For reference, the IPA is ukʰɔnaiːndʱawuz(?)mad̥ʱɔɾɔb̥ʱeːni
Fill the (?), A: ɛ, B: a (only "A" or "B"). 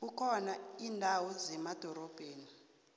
A